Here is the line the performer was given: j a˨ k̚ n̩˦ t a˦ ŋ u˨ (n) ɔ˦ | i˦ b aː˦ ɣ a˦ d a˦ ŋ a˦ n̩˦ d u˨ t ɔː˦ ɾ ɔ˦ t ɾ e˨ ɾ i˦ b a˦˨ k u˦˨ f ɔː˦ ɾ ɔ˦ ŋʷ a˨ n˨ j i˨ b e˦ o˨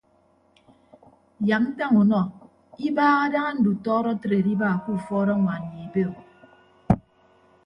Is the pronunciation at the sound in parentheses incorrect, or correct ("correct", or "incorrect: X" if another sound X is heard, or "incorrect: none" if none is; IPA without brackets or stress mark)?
correct